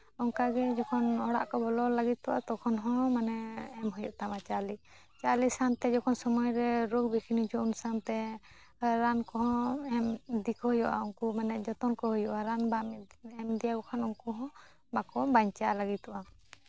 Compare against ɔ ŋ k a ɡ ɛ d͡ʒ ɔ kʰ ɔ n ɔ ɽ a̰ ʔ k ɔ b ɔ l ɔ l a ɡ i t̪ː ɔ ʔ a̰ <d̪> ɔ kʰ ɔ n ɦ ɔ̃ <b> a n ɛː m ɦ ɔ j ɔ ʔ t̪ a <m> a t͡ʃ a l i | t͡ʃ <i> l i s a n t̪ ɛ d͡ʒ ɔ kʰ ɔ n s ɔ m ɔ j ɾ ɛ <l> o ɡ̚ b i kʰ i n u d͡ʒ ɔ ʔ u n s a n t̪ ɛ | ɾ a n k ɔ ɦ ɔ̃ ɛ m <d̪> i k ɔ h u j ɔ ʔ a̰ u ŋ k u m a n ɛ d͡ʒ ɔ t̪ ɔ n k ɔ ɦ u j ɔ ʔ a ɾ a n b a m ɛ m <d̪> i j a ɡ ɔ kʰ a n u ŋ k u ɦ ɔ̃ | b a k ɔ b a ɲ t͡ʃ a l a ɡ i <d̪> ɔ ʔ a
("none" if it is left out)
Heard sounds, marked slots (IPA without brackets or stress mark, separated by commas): t̪, m, m, a, ɾ, d̪, d̪, t̪